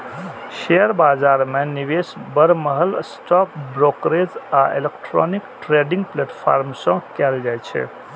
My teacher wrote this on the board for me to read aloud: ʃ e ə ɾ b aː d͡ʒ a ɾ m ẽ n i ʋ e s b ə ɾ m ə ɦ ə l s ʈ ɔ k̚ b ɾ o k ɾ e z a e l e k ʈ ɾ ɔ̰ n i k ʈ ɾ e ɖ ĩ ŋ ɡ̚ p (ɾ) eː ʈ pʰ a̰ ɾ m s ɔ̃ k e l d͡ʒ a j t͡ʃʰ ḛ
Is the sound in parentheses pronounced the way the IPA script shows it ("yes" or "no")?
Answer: no